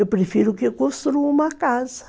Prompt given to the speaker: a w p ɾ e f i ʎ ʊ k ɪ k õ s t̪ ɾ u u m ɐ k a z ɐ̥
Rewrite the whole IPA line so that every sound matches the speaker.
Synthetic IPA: e w p ɾ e f i ɾ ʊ k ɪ k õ s t̪ ɾ u u m ɐ k a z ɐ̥